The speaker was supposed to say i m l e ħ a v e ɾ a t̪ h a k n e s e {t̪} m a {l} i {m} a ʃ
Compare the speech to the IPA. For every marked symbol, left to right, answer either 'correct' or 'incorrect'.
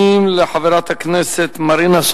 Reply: correct, incorrect: ɾ, incorrect: n

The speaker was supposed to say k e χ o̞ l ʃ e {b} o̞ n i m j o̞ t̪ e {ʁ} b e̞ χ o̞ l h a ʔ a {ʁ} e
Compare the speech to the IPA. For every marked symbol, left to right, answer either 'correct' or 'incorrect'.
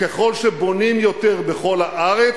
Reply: correct, correct, correct

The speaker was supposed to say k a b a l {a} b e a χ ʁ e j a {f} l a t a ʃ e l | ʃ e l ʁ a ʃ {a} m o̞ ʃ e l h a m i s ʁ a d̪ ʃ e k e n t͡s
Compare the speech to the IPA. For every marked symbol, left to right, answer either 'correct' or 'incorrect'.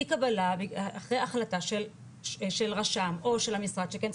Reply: correct, incorrect: χ, correct

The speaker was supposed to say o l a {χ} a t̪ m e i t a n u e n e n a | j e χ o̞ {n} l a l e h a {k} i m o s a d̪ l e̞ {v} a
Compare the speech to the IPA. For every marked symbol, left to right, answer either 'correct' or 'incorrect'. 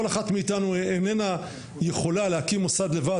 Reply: correct, incorrect: none, correct, correct

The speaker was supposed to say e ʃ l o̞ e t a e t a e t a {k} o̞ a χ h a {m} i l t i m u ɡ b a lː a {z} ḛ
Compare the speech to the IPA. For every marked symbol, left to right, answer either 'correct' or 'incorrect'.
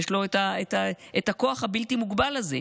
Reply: correct, incorrect: b, correct

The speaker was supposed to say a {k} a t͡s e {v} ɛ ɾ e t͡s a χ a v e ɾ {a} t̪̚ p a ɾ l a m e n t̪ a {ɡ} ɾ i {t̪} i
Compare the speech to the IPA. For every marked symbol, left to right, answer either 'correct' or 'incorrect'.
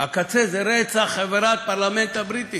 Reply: correct, incorrect: z, correct, incorrect: b, correct

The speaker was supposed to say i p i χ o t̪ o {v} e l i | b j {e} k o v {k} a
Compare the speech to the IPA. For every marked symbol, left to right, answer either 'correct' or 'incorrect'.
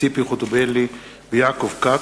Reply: incorrect: b, incorrect: a, correct

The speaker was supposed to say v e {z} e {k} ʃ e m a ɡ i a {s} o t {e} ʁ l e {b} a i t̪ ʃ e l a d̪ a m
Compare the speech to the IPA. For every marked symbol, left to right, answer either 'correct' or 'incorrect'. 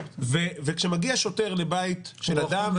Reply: incorrect: v, correct, incorrect: ʃ, correct, correct

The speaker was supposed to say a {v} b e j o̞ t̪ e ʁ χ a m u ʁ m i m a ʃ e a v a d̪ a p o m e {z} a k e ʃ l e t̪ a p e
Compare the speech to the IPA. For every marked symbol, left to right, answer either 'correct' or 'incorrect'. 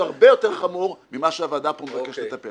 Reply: incorrect: ʁ, incorrect: v

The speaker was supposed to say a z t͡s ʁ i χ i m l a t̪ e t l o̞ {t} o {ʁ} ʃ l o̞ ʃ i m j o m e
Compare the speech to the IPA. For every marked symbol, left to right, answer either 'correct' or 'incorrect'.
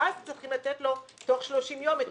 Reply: correct, incorrect: χ

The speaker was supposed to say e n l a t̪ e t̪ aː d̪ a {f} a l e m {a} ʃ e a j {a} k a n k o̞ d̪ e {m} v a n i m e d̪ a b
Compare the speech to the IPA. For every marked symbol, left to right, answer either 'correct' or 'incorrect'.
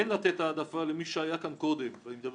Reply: correct, incorrect: i, correct, correct

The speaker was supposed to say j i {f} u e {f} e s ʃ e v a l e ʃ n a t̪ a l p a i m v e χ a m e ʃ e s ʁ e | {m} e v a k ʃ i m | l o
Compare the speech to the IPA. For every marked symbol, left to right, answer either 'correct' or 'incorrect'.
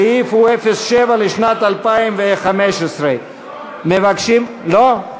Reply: correct, correct, correct

